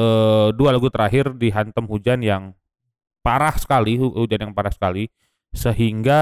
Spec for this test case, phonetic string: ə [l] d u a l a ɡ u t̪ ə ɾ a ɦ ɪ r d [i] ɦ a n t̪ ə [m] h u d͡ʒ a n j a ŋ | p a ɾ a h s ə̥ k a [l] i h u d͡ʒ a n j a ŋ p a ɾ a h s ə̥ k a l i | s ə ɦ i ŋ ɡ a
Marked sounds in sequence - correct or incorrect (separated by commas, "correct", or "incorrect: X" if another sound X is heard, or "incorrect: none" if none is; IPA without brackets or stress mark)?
incorrect: none, correct, correct, correct